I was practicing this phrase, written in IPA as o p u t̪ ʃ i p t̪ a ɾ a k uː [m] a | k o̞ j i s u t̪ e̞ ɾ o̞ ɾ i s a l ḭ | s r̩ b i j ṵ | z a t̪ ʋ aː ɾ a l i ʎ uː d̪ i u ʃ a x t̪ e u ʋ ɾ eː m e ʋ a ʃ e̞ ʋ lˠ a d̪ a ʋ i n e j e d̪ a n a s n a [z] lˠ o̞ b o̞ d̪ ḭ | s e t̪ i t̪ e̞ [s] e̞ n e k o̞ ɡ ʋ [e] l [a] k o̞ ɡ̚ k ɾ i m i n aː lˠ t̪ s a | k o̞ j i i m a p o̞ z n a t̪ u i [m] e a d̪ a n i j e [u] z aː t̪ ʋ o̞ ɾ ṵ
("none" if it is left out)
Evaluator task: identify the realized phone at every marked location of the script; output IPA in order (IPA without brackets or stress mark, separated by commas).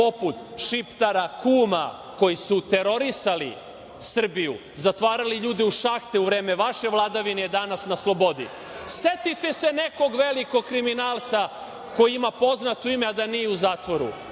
m, s, s, e, i, m, u